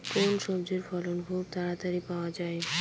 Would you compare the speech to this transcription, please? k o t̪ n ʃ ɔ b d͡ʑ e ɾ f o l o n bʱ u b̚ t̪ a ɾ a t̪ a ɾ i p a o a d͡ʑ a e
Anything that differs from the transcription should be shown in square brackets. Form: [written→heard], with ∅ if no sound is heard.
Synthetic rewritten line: k o [t̪→∅] n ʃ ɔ b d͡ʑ e ɾ f [o→ɔ] l o n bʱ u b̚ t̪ a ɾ a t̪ a ɾ i p a o a d͡ʑ a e

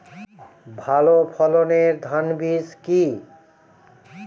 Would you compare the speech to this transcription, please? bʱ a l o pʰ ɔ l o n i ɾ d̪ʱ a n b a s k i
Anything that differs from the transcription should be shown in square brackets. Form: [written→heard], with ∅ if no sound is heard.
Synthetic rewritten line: bʱ a l o pʰ ɔ l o n [i→e] ɾ d̪ʱ a n b [a→i] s k i

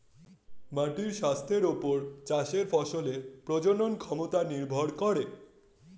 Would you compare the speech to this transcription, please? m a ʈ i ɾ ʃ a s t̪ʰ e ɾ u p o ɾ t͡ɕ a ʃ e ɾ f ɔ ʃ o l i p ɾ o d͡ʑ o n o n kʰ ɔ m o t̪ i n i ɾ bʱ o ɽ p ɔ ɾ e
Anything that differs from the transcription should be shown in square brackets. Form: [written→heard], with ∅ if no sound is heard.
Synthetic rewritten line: m a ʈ i ɾ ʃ a s t̪ʰ e ɾ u p o ɾ t͡ɕ a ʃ e ɾ f ɔ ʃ o l [i→e] p ɾ o d͡ʑ o n o n kʰ ɔ m o t̪ [i→a] n i ɾ bʱ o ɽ [p→k] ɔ ɾ e

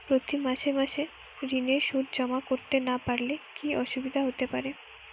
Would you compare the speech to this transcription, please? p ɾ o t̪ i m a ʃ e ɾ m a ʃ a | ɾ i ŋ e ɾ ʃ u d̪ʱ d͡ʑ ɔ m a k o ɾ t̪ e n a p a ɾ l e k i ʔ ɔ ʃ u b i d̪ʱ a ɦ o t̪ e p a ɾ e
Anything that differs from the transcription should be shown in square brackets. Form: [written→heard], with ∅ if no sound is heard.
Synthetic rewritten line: p ɾ o t̪ i m a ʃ e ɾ m a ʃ [a→e] | ɾ i [ŋ→n] e ɾ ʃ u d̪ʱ d͡ʑ ɔ m a k o ɾ t̪ e n a p a ɾ l e k i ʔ ɔ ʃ u b i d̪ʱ a ɦ o t̪ e p a ɾ e

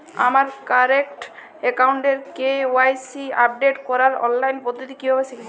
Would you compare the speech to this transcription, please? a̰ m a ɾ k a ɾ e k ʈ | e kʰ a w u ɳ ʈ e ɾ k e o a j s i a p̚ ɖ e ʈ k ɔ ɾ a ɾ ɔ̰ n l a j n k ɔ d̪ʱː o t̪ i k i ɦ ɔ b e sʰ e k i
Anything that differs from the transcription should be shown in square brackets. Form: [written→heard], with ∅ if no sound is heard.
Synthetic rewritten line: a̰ m a ɾ k a ɾ e k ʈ | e [kʰ→k] a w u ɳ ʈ e ɾ k e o a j s i a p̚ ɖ e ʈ k ɔ ɾ a ɾ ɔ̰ n l a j n [k→p] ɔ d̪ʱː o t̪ i k i ɦ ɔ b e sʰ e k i

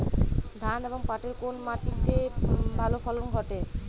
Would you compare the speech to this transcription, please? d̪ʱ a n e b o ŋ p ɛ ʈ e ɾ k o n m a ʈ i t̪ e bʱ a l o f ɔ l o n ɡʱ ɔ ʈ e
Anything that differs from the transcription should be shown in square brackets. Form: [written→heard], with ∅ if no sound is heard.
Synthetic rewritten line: d̪ʱ a n e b o ŋ p [ɛ→a] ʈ e ɾ k o n m a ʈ i t̪ e bʱ a l o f ɔ l o n ɡʱ ɔ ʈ e

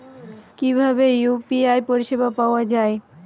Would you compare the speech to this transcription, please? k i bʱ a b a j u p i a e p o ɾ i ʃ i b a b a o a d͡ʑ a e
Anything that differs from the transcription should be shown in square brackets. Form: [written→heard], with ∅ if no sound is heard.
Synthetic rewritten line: k i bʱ a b [a→e] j u p i a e p o ɾ i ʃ [i→e] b a [b→p] a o a d͡ʑ a e

